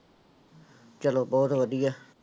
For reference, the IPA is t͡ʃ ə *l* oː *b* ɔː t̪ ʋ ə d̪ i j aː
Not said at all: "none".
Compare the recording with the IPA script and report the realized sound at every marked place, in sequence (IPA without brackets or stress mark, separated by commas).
l, b